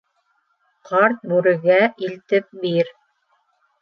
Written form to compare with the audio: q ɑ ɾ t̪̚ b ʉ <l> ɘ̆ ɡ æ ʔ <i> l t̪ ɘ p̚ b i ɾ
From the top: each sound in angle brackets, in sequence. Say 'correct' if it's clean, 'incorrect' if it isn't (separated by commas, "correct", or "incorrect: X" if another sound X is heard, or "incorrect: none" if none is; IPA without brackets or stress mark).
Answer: incorrect: ɾ, correct